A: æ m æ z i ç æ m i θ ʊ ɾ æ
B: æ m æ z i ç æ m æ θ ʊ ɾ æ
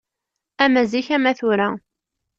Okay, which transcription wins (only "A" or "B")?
B